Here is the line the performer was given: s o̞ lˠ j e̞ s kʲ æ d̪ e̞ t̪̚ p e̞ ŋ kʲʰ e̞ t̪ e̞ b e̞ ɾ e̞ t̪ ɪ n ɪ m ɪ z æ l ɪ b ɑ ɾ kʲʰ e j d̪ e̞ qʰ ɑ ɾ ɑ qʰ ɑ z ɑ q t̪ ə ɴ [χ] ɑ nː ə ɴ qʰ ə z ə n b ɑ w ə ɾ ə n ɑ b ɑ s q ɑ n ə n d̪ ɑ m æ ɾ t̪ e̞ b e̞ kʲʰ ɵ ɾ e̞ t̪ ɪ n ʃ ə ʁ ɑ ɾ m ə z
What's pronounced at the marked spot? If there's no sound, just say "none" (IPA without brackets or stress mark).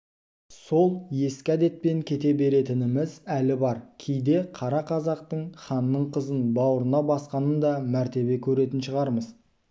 χ